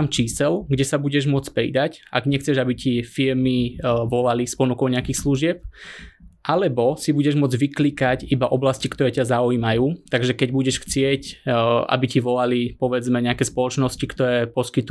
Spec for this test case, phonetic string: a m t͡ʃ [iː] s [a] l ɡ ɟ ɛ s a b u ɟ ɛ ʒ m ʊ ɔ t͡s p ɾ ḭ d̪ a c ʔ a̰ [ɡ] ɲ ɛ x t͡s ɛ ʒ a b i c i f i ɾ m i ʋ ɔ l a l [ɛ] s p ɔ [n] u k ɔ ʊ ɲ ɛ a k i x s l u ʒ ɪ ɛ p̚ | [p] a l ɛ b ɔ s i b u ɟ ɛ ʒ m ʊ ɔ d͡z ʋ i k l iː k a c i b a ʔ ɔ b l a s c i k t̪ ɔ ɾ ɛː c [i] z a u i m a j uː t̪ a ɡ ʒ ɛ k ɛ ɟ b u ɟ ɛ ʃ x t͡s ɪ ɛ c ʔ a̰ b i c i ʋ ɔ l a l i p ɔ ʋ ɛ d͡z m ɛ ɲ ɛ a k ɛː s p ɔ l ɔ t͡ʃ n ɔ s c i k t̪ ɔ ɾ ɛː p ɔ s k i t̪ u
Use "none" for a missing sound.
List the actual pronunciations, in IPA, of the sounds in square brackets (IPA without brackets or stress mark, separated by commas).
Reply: iː, ɛ, ɡ, i, n, ʔ, a